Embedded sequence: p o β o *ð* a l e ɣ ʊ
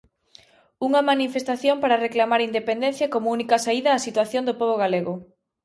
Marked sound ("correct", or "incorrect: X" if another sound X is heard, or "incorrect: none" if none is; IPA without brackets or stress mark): incorrect: ɣ